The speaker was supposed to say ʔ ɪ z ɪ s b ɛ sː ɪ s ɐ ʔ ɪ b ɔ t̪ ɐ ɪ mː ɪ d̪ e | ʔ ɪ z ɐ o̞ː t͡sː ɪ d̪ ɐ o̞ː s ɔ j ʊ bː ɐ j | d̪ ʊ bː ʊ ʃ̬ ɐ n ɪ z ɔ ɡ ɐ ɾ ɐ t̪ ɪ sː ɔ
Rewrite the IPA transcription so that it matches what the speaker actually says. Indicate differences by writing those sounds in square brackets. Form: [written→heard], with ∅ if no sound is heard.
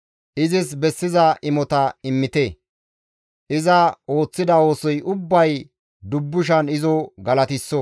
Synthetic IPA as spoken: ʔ ɪ z ɪ s b ɛ sː ɪ [s→z] ɐ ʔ ɪ [b→m] ɔ t̪ ɐ ɪ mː ɪ [d̪→t̪] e | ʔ ɪ z ɐ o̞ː t͡sː ɪ d̪ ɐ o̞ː s ɔ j ʊ bː ɐ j | d̪ ʊ bː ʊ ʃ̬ ɐ n ɪ z ɔ ɡ ɐ [ɾ→l] ɐ t̪ ɪ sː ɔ